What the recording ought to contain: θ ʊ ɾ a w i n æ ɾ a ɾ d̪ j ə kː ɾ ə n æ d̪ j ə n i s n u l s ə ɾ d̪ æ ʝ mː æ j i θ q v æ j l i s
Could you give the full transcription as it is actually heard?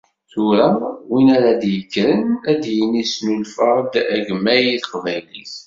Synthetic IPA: θ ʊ ɾ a w i n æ ɾ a d̪ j ə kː ɾ ə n æ d̪ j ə n i s n u l f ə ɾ d̪ æ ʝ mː æ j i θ q v æ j l i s